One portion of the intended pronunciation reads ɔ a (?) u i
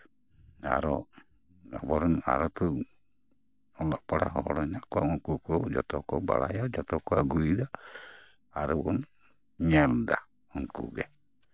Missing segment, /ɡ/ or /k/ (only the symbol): ɡ